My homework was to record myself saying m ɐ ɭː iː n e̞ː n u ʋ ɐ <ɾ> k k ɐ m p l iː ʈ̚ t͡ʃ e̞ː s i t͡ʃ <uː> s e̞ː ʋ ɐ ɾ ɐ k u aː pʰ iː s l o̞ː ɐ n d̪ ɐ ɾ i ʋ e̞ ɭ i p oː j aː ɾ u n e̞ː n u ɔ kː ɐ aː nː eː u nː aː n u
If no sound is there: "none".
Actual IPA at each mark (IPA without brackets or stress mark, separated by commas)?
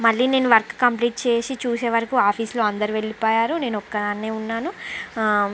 ɾ, uː